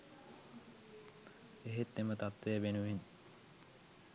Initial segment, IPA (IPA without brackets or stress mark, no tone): e